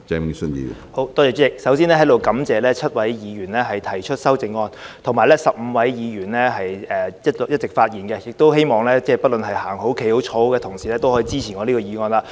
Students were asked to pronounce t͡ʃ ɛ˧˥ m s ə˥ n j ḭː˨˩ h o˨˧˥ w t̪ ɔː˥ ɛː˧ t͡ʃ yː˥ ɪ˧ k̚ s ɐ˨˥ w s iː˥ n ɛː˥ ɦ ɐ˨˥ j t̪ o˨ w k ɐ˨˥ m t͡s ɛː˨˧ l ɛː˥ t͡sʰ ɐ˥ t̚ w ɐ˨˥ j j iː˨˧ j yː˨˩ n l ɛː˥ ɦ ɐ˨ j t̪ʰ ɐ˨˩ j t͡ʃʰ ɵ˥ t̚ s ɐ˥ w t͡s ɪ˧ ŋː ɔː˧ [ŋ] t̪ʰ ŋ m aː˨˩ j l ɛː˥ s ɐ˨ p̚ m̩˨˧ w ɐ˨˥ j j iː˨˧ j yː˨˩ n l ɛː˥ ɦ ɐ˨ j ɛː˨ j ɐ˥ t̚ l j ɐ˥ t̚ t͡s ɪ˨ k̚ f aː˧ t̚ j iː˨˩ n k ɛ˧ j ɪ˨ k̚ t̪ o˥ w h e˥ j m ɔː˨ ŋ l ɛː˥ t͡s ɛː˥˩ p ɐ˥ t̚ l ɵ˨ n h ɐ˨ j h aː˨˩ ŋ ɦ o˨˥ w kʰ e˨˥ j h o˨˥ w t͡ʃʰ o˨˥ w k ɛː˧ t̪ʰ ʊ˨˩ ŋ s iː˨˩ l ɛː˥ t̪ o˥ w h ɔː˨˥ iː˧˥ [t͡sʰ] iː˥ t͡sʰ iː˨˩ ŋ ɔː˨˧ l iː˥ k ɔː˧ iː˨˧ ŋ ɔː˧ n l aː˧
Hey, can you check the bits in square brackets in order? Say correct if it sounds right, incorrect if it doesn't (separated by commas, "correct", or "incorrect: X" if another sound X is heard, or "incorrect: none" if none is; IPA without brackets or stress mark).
incorrect: n, incorrect: t͡s